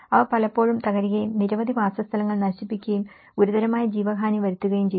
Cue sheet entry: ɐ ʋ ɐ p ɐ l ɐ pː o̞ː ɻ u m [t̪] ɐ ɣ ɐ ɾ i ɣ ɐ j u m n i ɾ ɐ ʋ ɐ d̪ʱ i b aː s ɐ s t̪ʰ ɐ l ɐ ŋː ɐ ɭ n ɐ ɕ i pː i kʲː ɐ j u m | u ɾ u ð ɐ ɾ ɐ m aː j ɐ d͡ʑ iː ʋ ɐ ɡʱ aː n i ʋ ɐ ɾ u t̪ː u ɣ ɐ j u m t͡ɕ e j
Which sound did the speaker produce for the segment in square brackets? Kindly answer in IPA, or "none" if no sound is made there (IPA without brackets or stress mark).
t̪